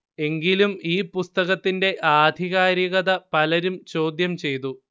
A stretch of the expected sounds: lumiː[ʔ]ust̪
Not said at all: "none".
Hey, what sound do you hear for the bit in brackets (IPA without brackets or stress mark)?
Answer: p